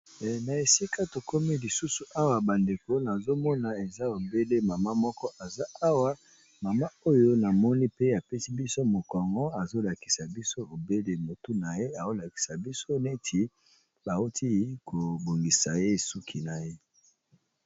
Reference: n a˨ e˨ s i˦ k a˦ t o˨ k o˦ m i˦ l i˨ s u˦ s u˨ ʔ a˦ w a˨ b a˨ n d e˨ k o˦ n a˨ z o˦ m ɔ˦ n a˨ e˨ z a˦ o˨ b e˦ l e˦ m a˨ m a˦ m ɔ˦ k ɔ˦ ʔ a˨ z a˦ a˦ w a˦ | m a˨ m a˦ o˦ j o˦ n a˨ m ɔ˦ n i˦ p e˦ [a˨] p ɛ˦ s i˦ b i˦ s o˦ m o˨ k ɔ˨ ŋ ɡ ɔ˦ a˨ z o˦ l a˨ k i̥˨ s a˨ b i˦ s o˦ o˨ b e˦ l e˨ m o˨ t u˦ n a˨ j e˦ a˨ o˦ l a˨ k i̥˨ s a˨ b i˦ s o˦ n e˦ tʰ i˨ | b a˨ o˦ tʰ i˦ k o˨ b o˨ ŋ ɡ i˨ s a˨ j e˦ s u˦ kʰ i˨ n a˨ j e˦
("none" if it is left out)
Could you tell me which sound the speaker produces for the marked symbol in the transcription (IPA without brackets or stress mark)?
a˨